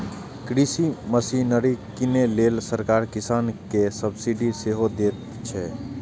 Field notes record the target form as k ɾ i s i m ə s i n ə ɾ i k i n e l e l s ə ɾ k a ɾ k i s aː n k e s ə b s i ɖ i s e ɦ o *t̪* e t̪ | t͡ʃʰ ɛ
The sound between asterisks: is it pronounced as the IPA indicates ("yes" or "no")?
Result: no